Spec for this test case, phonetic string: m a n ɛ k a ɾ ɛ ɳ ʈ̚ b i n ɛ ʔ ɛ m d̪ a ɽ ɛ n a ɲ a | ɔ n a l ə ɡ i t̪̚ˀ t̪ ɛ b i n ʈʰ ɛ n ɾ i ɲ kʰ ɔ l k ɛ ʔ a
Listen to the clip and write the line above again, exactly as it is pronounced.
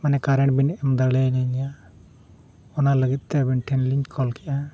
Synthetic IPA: m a n ɛ k a ɾ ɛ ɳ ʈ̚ b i n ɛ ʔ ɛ m d̪ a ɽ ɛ n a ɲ a | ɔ n a l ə ɡ i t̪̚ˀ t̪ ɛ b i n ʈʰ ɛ n l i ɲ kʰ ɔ l k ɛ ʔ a

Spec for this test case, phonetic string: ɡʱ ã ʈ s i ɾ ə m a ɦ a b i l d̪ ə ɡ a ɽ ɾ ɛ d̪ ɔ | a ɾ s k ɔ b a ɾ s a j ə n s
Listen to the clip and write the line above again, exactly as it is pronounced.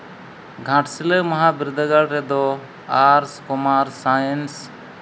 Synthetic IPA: ɡʱ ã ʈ s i l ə m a ɦ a b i ɾ d̪ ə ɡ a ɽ ɾ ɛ d̪ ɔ | a ɾ s k ɔ m a ɾ s a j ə n s

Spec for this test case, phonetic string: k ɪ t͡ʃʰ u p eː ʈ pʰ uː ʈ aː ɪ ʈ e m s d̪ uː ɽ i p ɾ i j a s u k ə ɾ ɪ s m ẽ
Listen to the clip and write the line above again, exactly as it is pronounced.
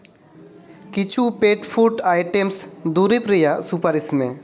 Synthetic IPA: k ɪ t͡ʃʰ u p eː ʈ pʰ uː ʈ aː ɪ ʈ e m s d̪ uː ɾ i p ɾ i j a s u p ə ɾ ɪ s m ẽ

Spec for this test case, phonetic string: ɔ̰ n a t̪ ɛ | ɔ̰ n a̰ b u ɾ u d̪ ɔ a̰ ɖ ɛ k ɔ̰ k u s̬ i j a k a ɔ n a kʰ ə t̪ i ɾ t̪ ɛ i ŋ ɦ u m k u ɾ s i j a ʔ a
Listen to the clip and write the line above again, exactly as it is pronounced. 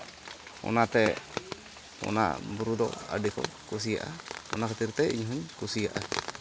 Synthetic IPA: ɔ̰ n a t̪ ɛ | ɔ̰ n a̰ b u ɾ u d̪ ɔ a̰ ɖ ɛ k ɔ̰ k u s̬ i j a ʔ a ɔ n a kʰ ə t̪ i ɾ t̪ ɛ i ɲ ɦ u ɲ k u s i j a ʔ a

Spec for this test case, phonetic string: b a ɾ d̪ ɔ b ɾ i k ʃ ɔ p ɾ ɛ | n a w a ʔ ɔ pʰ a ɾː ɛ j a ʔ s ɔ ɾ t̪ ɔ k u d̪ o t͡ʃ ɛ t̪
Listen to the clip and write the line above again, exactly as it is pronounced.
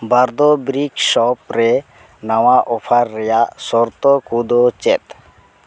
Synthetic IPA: b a ɾ d̪ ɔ b ɾ i k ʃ ɔ p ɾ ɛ | n a w a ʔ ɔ pʰ a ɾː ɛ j a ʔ s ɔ ɾ t̪ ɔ k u d̪ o t͡ʃ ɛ t̪

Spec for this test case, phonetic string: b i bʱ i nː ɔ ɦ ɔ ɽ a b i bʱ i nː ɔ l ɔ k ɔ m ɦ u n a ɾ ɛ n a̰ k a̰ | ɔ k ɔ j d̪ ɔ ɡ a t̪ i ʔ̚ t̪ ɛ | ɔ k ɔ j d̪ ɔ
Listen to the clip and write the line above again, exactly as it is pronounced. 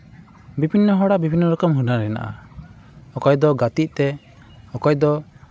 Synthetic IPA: b i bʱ i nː ɔ ɦ ɔ ɽ a b i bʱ i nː ɔ ɾ ɔ k ɔ m ɦ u n a ɾ ɛ n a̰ ʔ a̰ | ɔ k ɔ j d̪ ɔ ɡ a t̪ i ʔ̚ t̪ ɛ | ɔ k ɔ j d̪ ɔ

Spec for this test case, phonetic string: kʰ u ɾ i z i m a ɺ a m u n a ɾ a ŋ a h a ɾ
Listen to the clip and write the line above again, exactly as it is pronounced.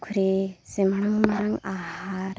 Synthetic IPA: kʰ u ɾ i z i m a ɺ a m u m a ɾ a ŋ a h a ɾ

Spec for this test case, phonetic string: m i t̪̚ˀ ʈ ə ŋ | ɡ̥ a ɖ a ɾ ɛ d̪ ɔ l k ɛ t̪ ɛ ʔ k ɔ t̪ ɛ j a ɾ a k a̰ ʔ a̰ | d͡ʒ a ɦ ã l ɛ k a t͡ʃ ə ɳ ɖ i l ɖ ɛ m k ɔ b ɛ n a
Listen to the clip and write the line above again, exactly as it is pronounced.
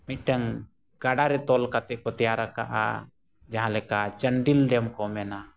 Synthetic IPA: m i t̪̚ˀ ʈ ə ŋ | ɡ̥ a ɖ a ɾ ɛ t̪ ɔ l k a t̪ ɛ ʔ k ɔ t̪ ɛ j a ɾ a k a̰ ʔ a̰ | d͡ʒ a ɦ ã l ɛ k a t͡ʃ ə ɳ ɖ i l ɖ ɛ m k ɔ m ɛ n a

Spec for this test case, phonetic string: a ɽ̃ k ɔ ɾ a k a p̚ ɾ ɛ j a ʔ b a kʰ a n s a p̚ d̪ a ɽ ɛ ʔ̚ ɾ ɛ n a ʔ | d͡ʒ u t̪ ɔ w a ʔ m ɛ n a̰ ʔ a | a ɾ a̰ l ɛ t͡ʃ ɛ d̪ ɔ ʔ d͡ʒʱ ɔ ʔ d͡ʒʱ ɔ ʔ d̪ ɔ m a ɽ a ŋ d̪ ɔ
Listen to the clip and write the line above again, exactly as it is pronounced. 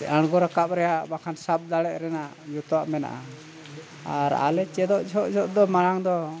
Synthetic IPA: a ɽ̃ ɡ ɔ ɾ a k a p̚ ɾ ɛ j a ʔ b a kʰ a n s a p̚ d̪ a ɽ ɛ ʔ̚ ɾ ɛ n a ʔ | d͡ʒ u t̪ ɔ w a ʔ m ɛ n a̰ ʔ a | a ɾ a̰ l ɛ t͡ʃ ɛ d̪ ɔ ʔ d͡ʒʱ ɔ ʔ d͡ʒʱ ɔ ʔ d̪ ɔ m a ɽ a ŋ d̪ ɔ

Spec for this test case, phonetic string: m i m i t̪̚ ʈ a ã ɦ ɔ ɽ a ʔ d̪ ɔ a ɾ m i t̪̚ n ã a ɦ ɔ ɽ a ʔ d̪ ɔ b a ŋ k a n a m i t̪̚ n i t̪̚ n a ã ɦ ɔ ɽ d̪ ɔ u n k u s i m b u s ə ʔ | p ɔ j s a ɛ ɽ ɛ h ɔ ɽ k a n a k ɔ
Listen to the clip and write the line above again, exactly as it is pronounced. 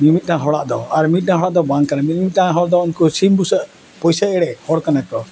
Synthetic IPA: m i m i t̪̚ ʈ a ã ɦ ɔ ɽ a ʔ d̪ ɔ a ɾ m i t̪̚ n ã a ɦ ɔ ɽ a ʔ d̪ ɔ b a ŋ k a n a m i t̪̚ m i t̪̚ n a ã ɦ ɔ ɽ d̪ ɔ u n k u s i m b u s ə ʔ | p ɔ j s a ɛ ɽ ɛ h ɔ ɽ k a n a k ɔ

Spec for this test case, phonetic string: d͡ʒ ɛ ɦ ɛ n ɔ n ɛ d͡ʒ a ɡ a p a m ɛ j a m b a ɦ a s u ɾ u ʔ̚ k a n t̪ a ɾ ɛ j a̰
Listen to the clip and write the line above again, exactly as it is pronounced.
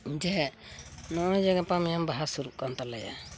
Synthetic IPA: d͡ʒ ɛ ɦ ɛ n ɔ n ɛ d͡ʒ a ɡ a p a m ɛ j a m b a ɦ a s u ɾ u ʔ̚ k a n t̪ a l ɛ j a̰

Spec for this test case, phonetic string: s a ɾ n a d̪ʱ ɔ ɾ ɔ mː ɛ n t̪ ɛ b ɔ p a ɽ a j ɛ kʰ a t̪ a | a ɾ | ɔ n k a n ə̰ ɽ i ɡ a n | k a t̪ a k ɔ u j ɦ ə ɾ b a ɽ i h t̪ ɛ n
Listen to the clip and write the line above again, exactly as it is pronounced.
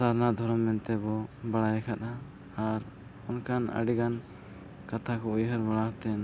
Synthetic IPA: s a ɾ n a d̪ʱ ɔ ɾ ɔ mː ɛ n t̪ ɛ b ɔ b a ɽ a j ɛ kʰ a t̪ a | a ɾ | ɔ n k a n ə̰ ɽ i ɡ a n | k a t̪ʰ a k ɔ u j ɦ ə ɾ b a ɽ a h t̪ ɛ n

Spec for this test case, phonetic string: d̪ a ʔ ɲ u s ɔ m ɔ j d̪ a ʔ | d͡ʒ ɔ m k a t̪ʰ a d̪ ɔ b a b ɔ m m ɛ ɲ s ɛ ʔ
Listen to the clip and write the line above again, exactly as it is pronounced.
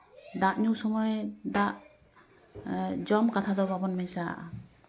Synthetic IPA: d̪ a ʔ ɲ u s ɔ m ɔ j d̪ a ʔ | d͡ʒ ɔ m k a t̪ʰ a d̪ ɔ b a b ɔ n m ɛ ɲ s a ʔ

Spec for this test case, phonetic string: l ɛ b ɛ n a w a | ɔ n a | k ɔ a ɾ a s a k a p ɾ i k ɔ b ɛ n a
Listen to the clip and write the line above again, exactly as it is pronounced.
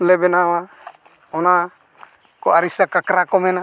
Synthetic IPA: l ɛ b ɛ n a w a | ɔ n a | k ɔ a ɾ i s a k a k ɾ a k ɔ m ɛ n a

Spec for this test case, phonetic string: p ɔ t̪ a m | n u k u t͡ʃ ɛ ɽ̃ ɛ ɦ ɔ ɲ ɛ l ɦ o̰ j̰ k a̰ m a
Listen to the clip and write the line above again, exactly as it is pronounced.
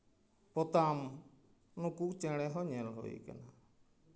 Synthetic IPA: p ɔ t̪ a m | n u k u t͡ʃ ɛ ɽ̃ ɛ ɦ ɔ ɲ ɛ l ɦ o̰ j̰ k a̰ n a

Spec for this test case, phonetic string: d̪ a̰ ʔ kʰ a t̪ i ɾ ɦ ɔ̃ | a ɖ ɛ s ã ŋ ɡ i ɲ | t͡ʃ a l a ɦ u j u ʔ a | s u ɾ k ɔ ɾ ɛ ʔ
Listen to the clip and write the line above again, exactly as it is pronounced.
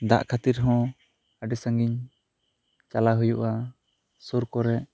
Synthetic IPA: d̪ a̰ ʔ kʰ a t̪ i ɾ ɦ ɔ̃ | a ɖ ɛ s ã ŋ ɡ i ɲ | t͡ʃ a l a ɦ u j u ʔ a | s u ɾ k ɔ ɾ ɛ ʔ

